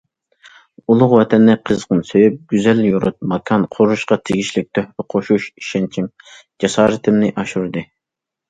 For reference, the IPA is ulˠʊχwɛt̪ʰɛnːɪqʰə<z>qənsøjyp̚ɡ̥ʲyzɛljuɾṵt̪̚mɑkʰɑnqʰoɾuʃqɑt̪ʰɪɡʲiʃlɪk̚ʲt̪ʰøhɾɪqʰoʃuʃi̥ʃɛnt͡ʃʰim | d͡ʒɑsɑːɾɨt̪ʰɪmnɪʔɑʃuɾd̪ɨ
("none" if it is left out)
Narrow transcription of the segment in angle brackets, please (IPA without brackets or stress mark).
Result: z